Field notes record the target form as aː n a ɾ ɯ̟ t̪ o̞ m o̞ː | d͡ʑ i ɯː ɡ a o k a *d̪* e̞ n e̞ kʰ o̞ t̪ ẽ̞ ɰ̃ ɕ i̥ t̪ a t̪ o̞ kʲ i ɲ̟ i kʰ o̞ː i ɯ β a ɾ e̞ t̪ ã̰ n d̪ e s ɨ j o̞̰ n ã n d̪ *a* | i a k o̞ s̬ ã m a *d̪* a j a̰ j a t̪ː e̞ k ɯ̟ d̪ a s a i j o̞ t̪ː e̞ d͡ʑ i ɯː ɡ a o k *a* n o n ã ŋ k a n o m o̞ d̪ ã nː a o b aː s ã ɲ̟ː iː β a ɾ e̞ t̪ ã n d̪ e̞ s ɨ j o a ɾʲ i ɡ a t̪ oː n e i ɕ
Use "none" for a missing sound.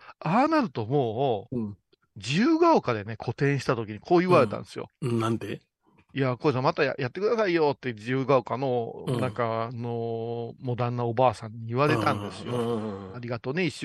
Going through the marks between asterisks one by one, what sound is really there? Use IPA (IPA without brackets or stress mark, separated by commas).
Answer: d̪, e, t̪, a